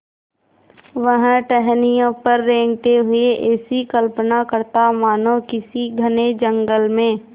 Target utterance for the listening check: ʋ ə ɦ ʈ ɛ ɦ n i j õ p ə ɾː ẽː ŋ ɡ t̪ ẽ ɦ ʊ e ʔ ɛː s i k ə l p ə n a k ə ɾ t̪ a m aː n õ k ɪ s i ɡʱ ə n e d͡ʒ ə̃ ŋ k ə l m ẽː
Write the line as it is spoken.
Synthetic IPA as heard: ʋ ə ɦ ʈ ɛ ɦ n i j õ p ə ɾː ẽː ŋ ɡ t̪ e ɦ ʊ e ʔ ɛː s i k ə l p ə n a k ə ɾ t̪ a m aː n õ k ɪ s i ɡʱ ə n e d͡ʒ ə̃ ŋ ɡ ə l m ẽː

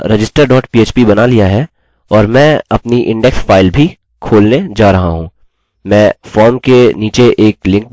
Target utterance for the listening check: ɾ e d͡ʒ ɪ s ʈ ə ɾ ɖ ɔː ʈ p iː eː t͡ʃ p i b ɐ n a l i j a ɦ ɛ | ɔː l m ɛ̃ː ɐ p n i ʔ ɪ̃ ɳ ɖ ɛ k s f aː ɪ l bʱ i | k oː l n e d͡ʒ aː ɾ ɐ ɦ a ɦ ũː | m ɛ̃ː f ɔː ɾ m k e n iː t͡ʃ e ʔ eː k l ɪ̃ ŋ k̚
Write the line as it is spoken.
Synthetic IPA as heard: ɾ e d͡ʒ ɪ s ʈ ə ɾ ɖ ɔː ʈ p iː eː t͡ʃ p i b ɐ n a l i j a ɦ ɛ | ɔː ɾ m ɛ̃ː ɐ p n i ʔ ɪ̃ ɳ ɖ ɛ k s f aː ɪ l bʱ i | kʰ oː l n e d͡ʒ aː ɾ ɐ ɦ a ɦ ũː | m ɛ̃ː f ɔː ɾ m k e n iː t͡ʃ e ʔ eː k l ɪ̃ ŋ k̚

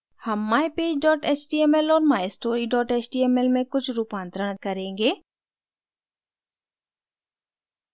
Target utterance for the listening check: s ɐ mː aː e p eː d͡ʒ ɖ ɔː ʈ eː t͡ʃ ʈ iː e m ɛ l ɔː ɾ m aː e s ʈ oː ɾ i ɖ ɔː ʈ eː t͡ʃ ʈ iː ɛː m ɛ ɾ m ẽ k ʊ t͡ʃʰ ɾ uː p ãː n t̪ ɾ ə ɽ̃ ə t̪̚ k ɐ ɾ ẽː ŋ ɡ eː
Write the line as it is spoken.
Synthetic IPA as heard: h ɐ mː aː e p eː d͡ʒ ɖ ɔː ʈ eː t͡ʃ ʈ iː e m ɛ l ɔː ɾ m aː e s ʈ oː ɾ i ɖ ɔː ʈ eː t͡ʃ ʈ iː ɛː m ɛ l m ẽ k ʊ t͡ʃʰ ɾ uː p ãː n t̪ ɾ ə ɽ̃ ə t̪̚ k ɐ ɾ ẽː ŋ ɡ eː

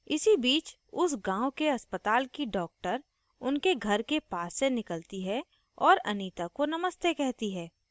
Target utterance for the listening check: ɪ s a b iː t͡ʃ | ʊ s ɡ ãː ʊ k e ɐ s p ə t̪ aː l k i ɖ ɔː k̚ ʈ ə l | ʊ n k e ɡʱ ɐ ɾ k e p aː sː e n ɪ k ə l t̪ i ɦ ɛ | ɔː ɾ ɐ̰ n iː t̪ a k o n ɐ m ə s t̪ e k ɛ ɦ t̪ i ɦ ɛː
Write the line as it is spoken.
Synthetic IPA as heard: ɪ s i b iː t͡ʃ | ʊ s ɡ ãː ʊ k e ɐ s p ə t̪ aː l k i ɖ ɔː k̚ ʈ ə ɾ | ʊ n k e ɡʱ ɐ ɾ k e p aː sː e n ɪ k ə l t̪ i ɦ ɛ | ɔː ɾ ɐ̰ n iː t̪ a k o n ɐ m ə s t̪ e k ɛ ɦ t̪ i ɦ ɛː

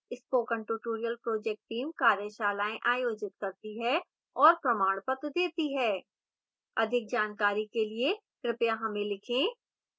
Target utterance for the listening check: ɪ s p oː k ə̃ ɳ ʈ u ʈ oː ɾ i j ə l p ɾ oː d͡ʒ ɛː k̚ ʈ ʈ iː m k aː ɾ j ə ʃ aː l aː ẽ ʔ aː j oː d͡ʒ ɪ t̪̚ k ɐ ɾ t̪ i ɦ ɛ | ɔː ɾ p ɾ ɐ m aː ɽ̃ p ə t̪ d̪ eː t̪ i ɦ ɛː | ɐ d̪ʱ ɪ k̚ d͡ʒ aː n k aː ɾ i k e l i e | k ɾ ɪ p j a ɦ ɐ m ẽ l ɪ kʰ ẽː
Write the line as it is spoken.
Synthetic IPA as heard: ɪ s p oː k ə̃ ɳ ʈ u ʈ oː ɾ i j ə l p ɾ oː d͡ʒ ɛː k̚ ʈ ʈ iː m k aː ɾ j ə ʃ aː l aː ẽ ʔ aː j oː d͡ʒ ɪ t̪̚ k ɐ ɾ t̪ i ɦ ɛ | ɔː ɾ p ɾ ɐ m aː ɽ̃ p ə t̪ d̪ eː t̪ i ɦ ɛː | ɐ d̪ʱ ɪ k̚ d͡ʒ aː n k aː ɾ i k e l i e | k ɾ ɪ p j a ɦ ɐ m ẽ l ɪ kʰ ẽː

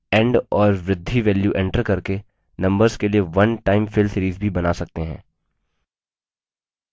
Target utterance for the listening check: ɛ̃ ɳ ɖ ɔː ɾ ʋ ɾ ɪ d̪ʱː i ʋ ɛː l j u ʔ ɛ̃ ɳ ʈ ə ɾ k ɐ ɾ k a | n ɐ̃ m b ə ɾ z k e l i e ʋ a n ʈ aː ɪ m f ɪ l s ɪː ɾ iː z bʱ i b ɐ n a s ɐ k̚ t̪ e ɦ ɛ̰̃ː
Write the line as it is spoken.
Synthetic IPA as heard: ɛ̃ ɳ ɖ ɔː ɾ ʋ ɾ ɪ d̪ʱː i ʋ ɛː l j u ʔ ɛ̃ ɳ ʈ ə ɾ k ɐ ɾ k e | n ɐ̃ m b ə ɾ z k e l i e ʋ ɐ n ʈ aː ɪ m f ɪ l s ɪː ɾ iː z bʱ i b ɐ n a s ɐ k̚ t̪ e ɦ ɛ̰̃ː

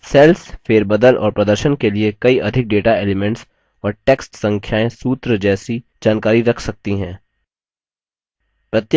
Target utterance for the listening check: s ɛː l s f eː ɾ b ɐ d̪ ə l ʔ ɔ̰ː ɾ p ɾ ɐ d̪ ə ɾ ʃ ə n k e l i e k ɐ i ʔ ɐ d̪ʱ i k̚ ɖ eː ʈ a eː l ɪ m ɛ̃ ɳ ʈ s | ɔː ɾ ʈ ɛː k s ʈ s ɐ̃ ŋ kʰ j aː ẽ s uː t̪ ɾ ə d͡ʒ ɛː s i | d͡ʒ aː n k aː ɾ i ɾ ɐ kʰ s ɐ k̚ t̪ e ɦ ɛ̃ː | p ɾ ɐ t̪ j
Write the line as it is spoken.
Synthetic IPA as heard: s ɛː l s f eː ɾ b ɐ d̪ ə l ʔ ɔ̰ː ɾ p ɾ ɐ d̪ ə ɾ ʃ ə n k e l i e k ɐ i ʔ ɐ d̪ʱ ɪ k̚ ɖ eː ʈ a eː l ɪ m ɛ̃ ɳ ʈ s | ɔː ɾ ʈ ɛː k s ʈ s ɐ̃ ŋ kʰ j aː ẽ s uː t̪ ɾ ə d͡ʒ ɛː s i | d͡ʒ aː n k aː ɾ i ɾ ɐ kʰ s ɐ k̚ t̪ i ɦ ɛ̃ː | p ɾ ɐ t̪ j

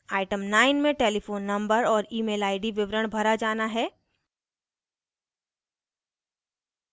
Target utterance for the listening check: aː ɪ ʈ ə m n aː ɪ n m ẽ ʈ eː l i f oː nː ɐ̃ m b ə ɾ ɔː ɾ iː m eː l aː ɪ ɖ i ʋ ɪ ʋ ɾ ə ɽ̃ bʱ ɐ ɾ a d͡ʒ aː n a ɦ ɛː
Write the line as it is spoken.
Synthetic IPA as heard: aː ɪ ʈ ə m n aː ɪ n m ẽ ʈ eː l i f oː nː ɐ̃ m b ə ɾ ɔː ɾ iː m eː l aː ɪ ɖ i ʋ ɪ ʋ ɾ ə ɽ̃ bʱ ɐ ɾ a d͡ʒ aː n a ɦ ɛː

